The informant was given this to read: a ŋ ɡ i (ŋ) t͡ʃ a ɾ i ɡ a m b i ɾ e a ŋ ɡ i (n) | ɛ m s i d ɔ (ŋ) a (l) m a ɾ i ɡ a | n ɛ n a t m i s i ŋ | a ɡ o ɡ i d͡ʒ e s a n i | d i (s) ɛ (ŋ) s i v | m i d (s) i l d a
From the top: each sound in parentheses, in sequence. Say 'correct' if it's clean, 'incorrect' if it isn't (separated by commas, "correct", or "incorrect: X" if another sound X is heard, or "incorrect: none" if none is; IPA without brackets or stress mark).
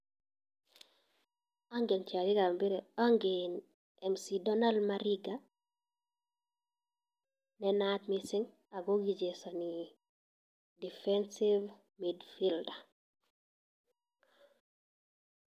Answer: incorrect: n, correct, incorrect: n, correct, incorrect: f, incorrect: n, incorrect: f